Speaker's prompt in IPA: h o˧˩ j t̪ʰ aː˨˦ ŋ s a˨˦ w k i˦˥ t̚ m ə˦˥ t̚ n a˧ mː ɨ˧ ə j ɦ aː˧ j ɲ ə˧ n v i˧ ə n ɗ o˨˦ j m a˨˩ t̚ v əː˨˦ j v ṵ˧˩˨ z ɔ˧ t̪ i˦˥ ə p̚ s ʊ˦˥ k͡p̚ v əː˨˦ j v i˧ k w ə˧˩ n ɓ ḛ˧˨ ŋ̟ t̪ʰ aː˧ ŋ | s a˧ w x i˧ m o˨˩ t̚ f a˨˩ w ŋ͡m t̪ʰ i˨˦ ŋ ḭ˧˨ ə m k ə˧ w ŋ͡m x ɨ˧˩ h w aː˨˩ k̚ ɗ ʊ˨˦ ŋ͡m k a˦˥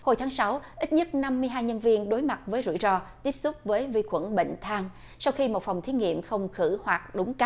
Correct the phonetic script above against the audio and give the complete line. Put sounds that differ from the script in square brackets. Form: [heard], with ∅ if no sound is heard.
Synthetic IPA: h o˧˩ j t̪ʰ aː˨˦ ŋ s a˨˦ w [ʔ] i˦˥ t̚ [ɲ] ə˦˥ t̚ n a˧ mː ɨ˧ ə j ɦ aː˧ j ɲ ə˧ n v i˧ ə n ɗ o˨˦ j m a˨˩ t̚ v əː˨˦ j [z] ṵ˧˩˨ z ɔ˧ t̪ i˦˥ ə p̚ s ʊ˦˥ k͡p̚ v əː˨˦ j v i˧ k w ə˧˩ n ɓ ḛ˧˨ ŋ̟ t̪ʰ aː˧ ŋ | s a˧ w x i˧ m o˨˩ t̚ f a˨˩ w ŋ͡m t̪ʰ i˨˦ ŋ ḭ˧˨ ə m [x] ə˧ w ŋ͡m x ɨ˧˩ h w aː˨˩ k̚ ɗ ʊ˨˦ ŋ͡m k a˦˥